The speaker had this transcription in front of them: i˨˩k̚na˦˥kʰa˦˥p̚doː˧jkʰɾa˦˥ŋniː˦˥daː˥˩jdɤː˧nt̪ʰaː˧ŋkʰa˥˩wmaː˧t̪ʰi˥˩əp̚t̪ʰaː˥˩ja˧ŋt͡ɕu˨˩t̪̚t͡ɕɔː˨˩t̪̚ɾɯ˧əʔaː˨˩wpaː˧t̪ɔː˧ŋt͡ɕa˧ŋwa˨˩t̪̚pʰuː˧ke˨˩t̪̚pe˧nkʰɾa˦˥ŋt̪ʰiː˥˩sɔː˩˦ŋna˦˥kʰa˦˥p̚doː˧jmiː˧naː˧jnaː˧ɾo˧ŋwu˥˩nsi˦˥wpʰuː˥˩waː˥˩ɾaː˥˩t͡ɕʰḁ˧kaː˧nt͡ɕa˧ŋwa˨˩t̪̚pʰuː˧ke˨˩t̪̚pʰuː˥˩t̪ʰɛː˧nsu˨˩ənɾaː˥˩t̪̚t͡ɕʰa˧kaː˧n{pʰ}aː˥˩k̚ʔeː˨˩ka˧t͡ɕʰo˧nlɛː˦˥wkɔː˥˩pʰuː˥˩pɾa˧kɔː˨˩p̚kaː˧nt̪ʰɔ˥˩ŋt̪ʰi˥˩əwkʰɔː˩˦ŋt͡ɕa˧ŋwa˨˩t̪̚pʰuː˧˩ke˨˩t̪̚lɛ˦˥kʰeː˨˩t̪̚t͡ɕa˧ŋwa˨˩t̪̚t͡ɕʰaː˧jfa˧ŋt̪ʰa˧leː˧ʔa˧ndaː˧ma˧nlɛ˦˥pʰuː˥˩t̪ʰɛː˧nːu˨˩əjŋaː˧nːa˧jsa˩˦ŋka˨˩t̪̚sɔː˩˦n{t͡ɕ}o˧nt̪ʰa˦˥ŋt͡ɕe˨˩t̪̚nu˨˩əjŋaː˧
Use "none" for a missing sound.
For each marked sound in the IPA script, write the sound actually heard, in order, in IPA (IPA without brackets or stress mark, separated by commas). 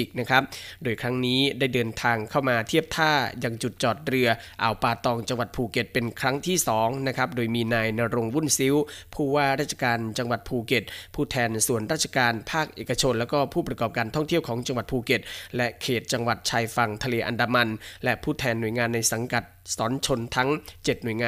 pʰ, t͡ɕʰ